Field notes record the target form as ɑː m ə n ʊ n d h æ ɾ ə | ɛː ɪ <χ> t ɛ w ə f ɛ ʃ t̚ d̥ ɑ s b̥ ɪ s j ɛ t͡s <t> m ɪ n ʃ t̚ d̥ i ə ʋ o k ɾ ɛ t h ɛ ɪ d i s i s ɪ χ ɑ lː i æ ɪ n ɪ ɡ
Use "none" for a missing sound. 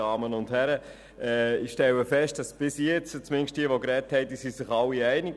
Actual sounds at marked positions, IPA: ʃ, t͡s

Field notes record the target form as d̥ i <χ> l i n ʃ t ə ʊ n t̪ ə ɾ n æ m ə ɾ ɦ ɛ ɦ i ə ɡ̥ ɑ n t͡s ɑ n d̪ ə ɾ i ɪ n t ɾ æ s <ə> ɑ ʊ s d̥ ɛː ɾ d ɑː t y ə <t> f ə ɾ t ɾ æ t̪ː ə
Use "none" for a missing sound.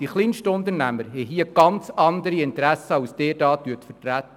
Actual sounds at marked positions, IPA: χ, ə, t

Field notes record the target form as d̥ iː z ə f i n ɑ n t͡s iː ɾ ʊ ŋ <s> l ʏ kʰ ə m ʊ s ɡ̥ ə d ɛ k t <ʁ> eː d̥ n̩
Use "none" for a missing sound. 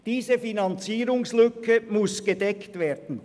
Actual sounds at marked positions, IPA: s, v

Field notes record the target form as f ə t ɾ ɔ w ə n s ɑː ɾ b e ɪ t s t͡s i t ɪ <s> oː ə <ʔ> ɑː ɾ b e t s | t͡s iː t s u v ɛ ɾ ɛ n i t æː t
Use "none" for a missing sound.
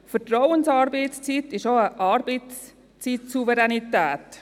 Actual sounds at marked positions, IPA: ʃ, ʔ

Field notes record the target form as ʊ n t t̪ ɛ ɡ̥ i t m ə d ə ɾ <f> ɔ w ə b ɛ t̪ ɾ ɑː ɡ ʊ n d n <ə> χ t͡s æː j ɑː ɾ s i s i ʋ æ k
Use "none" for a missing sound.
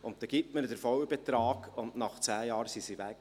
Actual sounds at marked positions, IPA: f, ɑ

